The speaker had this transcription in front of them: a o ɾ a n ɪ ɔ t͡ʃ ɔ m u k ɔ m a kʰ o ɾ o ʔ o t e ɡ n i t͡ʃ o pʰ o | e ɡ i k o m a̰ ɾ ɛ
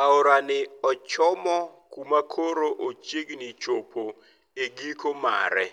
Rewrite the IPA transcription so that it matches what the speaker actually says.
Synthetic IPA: a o ɾ a n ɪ ɔ t͡ʃ ɔ m ɔ k u m a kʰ o ɾ o ʔ o t͡ʃ e ɡ n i t͡ʃ o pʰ o | e ɡ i k o m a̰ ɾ ɛ